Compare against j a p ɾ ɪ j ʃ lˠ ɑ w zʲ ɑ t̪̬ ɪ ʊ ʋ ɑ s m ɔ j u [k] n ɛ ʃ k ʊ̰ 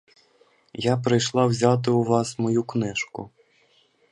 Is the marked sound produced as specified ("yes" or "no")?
yes